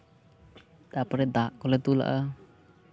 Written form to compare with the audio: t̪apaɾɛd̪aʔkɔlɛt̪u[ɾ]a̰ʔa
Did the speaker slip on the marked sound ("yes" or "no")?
yes